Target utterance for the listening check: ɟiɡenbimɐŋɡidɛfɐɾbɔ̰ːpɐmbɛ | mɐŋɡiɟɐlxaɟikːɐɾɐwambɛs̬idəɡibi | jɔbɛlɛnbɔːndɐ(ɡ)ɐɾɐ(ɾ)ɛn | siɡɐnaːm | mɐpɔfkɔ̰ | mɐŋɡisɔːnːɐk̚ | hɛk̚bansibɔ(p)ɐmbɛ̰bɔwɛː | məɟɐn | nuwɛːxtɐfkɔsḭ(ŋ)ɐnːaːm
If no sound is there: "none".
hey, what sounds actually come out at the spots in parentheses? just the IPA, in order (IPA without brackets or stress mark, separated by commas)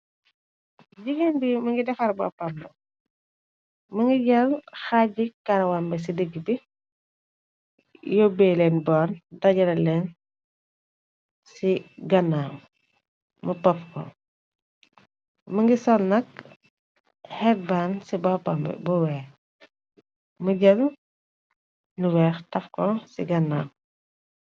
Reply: ɟ, l, p, ɡ